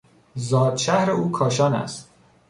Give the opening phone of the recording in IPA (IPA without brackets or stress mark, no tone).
z